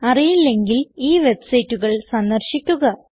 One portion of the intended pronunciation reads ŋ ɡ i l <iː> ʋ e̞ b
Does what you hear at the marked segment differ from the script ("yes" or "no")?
no